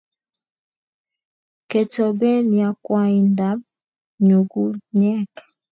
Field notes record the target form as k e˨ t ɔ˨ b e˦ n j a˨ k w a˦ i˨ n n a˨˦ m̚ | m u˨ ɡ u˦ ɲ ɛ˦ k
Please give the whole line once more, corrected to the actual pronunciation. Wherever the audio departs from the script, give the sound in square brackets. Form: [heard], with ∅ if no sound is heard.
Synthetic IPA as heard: k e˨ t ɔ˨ b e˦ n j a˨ k w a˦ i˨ n [d] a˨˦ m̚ | [ɲ] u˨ ɡ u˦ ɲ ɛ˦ k